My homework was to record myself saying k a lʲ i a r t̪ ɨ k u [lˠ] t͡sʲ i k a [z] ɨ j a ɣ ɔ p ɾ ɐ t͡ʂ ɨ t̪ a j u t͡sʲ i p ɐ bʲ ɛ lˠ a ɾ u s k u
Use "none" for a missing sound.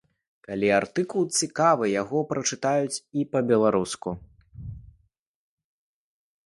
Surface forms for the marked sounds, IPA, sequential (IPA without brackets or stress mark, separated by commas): lˠ, v